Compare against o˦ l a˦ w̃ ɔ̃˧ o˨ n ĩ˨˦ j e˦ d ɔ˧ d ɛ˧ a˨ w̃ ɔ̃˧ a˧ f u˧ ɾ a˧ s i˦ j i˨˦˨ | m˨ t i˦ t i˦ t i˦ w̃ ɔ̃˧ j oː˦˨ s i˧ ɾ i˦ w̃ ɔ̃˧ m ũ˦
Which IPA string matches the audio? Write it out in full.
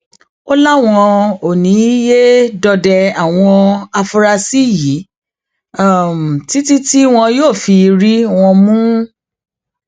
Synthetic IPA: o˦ l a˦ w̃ ɔ̃˧ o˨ n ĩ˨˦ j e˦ d ɔ˧ d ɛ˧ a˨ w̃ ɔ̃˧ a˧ f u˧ ɾ a˧ s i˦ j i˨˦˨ | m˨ t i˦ t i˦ t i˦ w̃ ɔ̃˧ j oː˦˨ f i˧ ɾ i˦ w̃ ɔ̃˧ m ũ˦